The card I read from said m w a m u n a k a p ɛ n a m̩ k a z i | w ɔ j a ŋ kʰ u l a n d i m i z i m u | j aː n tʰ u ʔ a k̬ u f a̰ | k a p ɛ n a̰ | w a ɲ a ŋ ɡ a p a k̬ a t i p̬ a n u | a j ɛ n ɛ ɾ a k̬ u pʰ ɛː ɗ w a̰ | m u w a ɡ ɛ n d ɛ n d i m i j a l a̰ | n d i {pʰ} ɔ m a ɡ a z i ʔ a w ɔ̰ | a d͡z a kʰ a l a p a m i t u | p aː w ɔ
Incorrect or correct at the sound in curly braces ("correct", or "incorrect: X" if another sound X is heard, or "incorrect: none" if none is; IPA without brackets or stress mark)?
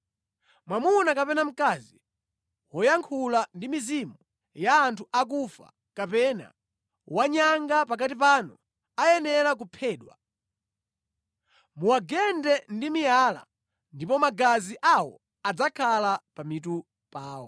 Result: incorrect: p